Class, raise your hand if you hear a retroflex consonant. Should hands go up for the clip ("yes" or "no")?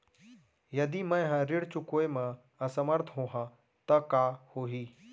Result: yes